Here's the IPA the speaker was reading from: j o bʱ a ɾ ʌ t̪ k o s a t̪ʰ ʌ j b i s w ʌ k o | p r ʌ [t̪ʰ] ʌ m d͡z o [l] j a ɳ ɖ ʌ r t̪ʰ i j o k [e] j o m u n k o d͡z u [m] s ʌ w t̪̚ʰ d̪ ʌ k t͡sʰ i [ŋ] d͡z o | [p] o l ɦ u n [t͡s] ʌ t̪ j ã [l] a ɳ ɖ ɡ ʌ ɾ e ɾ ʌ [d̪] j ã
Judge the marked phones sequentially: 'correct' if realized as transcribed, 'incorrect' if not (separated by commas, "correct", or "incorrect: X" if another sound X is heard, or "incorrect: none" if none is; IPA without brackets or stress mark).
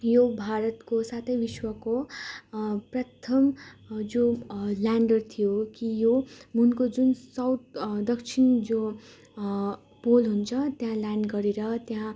correct, correct, incorrect: i, incorrect: n, incorrect: n, correct, incorrect: t͡sʰ, correct, incorrect: t̪